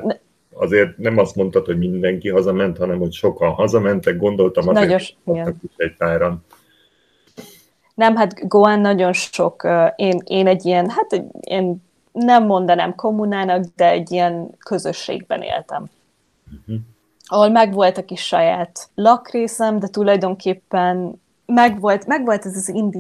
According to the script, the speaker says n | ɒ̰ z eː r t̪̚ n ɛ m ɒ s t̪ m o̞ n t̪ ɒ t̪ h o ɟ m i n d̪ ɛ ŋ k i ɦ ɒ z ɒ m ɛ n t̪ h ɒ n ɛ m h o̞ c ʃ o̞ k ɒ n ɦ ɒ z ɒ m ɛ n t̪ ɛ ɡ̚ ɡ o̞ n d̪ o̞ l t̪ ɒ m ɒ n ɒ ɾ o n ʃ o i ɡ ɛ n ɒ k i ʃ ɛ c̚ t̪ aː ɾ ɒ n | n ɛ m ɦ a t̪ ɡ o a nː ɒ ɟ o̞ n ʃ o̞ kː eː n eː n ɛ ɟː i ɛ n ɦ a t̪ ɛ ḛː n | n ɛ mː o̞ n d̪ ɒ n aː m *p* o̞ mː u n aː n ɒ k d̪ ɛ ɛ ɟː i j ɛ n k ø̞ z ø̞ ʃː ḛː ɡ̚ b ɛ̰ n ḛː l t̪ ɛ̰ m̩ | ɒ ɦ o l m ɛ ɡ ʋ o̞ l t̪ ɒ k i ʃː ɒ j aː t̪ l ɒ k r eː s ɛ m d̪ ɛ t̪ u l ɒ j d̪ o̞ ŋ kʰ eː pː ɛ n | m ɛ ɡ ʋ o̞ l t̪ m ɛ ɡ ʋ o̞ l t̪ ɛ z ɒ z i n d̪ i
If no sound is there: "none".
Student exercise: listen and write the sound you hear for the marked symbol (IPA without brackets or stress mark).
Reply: k